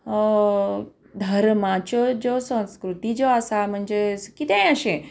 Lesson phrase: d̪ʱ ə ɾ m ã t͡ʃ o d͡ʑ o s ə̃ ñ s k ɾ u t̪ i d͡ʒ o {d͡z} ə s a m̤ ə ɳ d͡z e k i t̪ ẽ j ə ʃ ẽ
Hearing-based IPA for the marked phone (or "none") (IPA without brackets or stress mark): none